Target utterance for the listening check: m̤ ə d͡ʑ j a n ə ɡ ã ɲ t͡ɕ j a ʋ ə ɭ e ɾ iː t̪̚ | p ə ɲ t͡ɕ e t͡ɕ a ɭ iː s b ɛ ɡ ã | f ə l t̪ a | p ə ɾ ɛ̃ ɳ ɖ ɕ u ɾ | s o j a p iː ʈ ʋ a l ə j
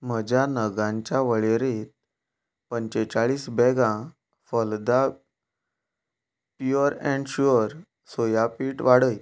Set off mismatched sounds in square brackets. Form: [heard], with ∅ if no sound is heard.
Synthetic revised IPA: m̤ ə d͡ʑ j a n ə ɡ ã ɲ t͡ɕ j a ʋ ə ɭ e ɾ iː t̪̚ | p ə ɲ t͡ɕ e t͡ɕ a ɭ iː s b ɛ ɡ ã | f ə l [d̪] a | p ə ɾ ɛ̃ ɳ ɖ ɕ u ɾ | s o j a p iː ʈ ʋ a [ɽ] ə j